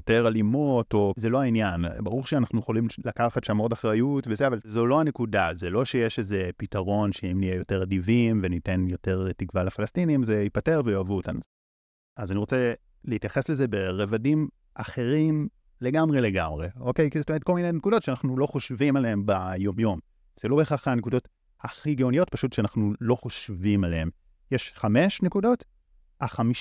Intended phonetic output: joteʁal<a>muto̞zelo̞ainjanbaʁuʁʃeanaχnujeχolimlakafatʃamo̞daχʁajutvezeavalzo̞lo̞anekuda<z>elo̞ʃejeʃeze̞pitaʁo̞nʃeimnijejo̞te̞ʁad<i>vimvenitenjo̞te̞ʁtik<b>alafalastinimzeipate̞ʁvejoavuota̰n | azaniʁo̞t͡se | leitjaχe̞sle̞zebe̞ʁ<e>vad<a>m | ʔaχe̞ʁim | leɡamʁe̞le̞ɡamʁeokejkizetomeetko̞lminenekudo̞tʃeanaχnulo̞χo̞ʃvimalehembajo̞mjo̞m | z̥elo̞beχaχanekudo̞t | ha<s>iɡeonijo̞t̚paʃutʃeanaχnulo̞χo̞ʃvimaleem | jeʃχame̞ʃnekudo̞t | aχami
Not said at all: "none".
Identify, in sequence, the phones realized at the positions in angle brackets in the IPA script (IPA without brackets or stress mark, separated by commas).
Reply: i, z, i, v, e, i, χ